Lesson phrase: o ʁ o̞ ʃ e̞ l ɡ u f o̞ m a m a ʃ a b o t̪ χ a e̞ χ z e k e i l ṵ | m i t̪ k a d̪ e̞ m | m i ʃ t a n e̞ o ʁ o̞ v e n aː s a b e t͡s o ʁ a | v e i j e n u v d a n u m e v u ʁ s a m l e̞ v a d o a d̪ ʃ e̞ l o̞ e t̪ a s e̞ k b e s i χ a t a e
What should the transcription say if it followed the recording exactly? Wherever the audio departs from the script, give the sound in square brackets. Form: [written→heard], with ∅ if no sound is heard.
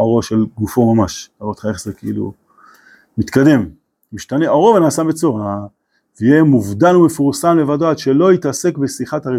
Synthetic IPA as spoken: o ʁ o̞ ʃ e̞ l ɡ u f o̞ m a m a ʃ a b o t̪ χ a e̞ χ z e k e i l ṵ | m i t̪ k a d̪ e̞ m | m i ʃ t a n e̞ o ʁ o̞ v e n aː s a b e t͡s o ʁ a | v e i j e [n→m] u v d a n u m e [v→f] u ʁ s a m l e̞ v a d o a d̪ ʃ e̞ l o̞ [e→i] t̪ a s e̞ k b e s i χ a t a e